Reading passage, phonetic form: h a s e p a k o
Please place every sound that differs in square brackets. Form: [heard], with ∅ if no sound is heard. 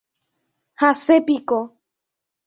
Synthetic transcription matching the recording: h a s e p [i] k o